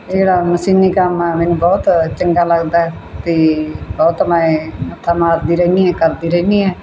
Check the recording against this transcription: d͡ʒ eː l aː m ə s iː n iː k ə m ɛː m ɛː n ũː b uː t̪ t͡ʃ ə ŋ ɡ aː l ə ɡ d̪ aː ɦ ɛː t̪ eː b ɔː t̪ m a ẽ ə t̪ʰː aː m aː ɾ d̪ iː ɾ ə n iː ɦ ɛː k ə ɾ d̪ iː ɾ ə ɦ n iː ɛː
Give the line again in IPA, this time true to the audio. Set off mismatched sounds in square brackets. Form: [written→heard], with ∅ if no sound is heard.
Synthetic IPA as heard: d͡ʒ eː [l→ɽ] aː m ə s iː n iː k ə m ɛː m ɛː n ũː b [uː→ɔː] t̪ t͡ʃ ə ŋ ɡ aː l ə ɡ d̪ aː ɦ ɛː t̪ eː b ɔː t̪ m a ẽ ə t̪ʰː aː m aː ɾ d̪ iː ɾ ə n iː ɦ ɛː k ə ɾ d̪ iː ɾ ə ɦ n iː ɛː